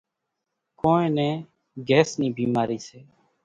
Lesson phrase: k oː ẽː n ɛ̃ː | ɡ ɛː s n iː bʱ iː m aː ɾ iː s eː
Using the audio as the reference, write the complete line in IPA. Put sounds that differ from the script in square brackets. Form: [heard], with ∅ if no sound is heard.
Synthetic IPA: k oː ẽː n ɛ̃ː | ɡ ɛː s n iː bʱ iː m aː ɾ iː s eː